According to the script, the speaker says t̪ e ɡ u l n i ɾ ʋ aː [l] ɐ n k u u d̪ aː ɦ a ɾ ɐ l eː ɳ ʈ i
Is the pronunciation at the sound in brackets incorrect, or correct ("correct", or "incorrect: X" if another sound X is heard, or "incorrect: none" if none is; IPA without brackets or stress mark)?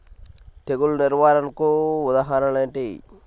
incorrect: ɾ